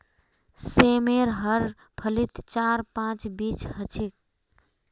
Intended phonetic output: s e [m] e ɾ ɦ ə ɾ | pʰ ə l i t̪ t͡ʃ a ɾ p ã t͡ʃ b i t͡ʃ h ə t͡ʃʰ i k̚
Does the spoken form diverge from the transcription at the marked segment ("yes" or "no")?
no